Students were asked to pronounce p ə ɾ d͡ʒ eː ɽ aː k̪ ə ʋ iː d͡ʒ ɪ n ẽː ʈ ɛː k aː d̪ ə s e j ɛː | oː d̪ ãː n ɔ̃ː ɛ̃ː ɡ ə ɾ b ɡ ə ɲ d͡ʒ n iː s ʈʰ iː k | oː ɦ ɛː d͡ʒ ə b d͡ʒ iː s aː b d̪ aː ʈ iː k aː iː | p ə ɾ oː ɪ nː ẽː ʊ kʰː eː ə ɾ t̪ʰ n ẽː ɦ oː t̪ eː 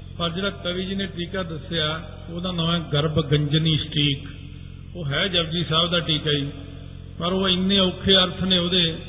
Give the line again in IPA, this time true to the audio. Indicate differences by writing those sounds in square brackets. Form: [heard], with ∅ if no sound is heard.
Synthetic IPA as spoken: p ə ɾ d͡ʒ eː ɽ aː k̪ ə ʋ iː d͡ʒ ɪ n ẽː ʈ [iː] k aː d̪ ə s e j [aː] | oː d̪ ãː n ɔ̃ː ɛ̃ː ɡ ə ɾ b ɡ ə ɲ d͡ʒ n iː s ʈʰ iː k | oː ɦ ɛː d͡ʒ ə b d͡ʒ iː s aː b d̪ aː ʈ iː k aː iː | p ə ɾ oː ɪ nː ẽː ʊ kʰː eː ə ɾ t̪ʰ n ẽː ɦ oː [d̪] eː